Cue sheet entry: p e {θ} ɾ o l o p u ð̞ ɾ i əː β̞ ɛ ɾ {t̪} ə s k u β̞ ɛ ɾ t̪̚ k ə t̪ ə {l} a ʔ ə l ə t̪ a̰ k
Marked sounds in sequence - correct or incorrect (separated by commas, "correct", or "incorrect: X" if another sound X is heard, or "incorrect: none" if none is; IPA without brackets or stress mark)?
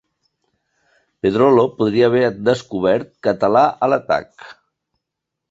incorrect: ð, incorrect: d̪, correct